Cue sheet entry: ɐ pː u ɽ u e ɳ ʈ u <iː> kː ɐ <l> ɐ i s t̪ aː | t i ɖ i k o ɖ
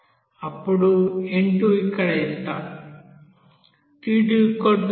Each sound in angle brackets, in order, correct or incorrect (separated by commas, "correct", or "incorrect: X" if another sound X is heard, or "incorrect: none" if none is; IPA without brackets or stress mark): incorrect: i, incorrect: ɽ